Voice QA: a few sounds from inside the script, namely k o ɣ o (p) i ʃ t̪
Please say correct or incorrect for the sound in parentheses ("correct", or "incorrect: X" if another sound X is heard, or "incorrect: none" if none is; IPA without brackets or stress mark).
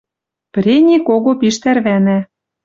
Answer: correct